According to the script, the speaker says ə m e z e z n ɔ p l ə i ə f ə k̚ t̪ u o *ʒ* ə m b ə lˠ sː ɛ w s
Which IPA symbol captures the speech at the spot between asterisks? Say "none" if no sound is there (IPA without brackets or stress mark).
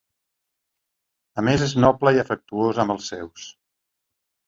z